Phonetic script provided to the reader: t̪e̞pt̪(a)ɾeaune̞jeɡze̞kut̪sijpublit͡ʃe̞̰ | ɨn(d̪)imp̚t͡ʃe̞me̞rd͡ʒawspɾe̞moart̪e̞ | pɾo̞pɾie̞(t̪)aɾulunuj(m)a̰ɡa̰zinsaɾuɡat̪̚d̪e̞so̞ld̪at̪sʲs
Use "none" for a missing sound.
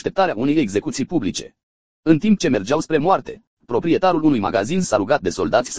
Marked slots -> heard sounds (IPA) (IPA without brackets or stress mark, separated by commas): a, t̪, t̪, m